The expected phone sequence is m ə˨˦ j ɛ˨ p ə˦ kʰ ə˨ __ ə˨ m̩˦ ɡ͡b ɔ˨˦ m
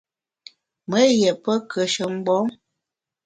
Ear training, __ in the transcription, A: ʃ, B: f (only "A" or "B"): A